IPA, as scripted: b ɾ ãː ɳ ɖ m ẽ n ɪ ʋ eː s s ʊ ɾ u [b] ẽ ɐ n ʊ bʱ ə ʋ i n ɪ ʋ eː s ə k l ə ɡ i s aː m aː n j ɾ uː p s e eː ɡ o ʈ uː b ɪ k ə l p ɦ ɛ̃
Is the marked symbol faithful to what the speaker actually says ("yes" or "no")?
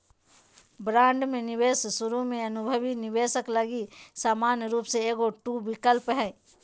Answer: no